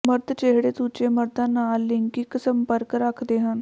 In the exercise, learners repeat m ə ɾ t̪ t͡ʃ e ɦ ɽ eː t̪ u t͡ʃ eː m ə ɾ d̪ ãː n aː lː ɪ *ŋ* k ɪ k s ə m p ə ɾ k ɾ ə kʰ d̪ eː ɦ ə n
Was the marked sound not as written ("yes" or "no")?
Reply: no